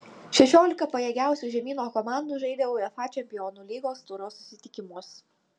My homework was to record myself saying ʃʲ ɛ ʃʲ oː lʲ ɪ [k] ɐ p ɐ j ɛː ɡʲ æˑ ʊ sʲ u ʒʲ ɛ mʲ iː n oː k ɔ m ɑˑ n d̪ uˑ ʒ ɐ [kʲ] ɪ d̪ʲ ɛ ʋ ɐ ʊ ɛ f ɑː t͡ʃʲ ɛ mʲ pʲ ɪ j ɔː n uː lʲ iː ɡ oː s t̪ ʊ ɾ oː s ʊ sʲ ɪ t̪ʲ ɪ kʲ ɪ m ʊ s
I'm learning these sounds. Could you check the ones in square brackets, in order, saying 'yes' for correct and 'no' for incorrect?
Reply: yes, no

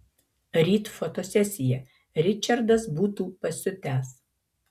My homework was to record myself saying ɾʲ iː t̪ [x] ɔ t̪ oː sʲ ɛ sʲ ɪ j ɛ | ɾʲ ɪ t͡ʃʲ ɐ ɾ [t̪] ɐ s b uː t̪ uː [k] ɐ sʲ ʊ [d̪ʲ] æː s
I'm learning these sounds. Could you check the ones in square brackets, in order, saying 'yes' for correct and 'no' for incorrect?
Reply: no, no, no, no

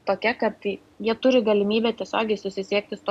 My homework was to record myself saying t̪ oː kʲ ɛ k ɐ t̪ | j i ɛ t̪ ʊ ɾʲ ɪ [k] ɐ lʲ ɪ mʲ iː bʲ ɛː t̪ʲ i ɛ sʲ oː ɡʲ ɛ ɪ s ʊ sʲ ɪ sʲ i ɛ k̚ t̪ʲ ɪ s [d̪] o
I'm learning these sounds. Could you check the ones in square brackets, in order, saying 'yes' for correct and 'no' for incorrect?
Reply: no, no

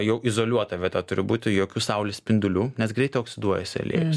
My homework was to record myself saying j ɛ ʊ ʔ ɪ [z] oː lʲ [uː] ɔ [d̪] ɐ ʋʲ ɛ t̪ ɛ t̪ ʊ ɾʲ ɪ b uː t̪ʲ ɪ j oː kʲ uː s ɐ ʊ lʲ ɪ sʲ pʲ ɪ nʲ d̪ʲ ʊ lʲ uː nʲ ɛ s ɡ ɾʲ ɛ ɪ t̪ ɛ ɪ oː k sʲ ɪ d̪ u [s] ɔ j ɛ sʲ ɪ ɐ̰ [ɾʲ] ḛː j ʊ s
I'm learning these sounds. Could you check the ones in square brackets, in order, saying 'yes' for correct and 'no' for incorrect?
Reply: yes, no, no, no, no

